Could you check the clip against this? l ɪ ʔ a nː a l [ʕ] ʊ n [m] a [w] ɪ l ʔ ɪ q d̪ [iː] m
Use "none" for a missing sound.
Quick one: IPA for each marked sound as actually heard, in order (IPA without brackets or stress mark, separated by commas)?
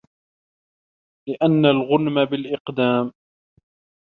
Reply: ɣ, m, b, aː